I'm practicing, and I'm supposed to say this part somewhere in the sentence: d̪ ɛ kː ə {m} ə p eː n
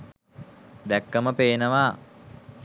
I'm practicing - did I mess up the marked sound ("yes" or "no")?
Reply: no